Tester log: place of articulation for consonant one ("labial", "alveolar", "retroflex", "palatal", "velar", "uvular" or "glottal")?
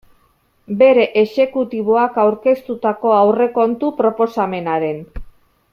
labial